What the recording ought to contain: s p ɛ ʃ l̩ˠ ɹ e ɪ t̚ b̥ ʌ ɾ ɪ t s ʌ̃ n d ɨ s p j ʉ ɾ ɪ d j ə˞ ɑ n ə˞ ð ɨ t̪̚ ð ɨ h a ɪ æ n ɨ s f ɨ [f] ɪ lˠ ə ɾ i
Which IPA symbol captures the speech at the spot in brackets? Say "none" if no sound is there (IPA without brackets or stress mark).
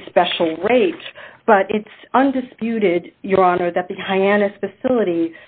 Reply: s